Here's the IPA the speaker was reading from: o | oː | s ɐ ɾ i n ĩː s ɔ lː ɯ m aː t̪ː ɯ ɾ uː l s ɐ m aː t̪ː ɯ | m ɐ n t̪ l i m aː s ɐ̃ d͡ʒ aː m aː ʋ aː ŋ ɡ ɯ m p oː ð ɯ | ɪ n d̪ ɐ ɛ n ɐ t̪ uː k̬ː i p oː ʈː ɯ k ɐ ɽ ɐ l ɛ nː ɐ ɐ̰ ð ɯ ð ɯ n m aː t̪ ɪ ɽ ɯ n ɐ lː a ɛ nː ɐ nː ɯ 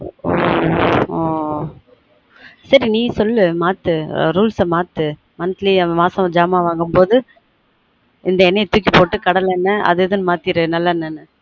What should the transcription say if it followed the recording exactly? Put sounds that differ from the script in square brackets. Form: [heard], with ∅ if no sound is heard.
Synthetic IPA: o | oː | s ɐ ɾ i n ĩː s ɔ lː ɯ m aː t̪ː ɯ ɾ uː l s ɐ m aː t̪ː ɯ | m ɐ n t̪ l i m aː s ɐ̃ d͡ʒ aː m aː ʋ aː ŋ ɡ ɯ m p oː ð ɯ | ɪ n d̪ ɐ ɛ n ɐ t̪ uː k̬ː i p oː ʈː ɯ k ɐ ɽ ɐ l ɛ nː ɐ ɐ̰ ð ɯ ð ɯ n m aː t̪ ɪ [ɾ] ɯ n ɐ lː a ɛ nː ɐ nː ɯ